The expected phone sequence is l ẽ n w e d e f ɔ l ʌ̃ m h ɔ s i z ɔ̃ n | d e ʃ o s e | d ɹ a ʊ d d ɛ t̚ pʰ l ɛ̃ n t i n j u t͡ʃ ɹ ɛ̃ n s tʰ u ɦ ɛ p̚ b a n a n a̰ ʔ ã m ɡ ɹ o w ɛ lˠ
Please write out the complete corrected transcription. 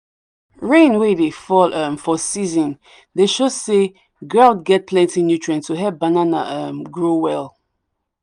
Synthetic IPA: ɹ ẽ n w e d e f ɔ l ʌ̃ m f ɔ s i z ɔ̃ n | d e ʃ o s e | ɡ ɹ a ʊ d ɡ ɛ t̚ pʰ l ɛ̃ n t i n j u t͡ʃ ɹ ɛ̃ n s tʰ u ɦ ɛ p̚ b a n a n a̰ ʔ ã m ɡ ɹ o w ɛ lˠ